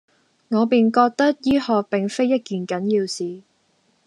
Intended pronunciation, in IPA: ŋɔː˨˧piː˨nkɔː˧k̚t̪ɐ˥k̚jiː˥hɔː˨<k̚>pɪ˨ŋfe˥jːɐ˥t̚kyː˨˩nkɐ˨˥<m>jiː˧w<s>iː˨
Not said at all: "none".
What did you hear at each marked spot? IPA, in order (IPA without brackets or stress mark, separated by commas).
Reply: k̚, n, s